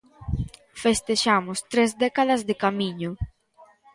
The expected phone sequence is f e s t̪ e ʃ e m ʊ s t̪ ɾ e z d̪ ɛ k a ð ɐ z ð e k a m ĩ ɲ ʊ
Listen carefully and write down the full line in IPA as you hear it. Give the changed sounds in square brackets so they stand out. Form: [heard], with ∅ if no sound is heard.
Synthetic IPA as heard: f e s t̪ e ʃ [a] m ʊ s t̪ ɾ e z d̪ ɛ k a ð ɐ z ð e k a m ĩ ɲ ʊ